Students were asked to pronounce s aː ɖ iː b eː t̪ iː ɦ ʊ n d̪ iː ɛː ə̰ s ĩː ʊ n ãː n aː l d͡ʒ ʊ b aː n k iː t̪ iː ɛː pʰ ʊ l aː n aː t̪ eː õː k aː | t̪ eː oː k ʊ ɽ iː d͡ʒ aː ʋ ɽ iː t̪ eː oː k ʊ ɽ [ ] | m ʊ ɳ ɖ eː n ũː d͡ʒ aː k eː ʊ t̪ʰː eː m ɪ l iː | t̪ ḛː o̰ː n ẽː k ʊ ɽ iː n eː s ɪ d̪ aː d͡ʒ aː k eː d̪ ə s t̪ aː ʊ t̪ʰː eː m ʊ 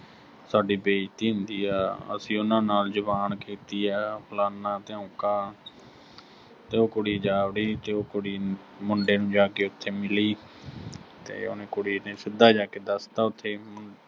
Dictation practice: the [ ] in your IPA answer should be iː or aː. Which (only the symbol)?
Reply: iː